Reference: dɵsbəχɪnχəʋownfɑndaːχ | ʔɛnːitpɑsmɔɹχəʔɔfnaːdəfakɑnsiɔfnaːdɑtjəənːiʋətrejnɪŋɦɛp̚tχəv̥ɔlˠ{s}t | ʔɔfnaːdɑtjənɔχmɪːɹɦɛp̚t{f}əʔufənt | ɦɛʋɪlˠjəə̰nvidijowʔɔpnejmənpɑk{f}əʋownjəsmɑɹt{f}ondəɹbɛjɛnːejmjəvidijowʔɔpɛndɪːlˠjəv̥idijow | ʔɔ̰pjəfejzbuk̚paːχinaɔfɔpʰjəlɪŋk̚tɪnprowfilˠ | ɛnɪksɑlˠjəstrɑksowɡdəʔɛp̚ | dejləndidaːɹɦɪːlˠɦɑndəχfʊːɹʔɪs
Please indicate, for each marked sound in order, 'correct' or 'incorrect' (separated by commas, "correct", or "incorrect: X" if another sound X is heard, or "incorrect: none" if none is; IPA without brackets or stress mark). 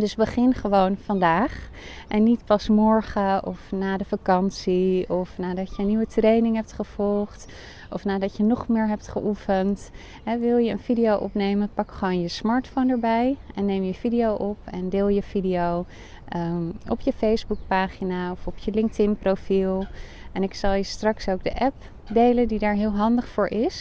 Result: incorrect: χ, incorrect: χ, incorrect: χ, correct